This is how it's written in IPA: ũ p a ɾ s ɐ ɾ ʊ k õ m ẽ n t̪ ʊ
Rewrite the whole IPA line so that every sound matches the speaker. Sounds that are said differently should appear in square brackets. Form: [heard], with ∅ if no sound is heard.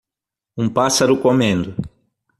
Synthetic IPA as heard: ũ p a [∅] s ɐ ɾ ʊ k [o] m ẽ n [d̪] ʊ